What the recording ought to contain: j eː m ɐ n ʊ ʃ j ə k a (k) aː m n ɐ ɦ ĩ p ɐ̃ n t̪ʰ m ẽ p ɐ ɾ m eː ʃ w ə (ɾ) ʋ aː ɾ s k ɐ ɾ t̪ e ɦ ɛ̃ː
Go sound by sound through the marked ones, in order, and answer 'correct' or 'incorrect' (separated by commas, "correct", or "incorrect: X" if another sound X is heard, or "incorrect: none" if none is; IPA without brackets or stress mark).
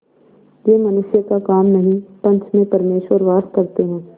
correct, correct